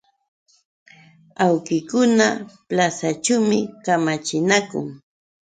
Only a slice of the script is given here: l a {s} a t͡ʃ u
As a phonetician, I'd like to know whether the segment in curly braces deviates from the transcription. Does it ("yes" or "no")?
no